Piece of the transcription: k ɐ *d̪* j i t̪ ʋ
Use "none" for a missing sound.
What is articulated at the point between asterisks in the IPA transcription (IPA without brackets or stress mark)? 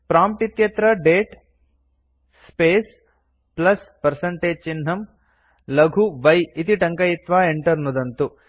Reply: none